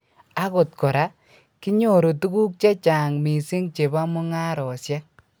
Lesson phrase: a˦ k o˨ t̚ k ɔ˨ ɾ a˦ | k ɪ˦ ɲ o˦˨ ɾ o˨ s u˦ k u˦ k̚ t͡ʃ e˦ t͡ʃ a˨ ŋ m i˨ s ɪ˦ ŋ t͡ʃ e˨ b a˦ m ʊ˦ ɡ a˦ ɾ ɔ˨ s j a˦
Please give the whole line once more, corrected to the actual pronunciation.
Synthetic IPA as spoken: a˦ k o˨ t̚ k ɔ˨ ɾ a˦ | k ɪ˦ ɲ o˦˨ ɾ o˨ t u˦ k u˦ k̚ t͡ʃ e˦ t͡ʃ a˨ ŋ m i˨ s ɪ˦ ŋ t͡ʃ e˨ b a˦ m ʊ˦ ŋ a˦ ɾ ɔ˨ s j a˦